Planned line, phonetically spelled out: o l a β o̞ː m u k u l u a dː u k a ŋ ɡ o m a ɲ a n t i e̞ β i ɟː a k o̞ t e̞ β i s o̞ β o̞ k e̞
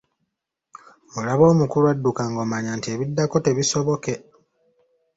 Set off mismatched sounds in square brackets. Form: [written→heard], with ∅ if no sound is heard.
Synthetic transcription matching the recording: o l a β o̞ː m u k u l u a dː u k a ŋ ɡ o m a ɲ a n t i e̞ β i [ɟː→dː] a k o̞ t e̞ β i s o̞ β o̞ k e̞